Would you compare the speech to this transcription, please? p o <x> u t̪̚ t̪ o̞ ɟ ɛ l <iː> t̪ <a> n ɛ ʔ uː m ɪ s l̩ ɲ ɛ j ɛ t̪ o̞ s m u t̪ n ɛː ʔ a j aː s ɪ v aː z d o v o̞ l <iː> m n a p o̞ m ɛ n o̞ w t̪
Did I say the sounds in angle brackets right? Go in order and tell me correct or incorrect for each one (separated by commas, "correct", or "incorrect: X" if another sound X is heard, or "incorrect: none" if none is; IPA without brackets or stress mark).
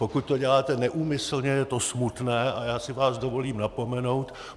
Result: incorrect: k, incorrect: aː, incorrect: ɛ, correct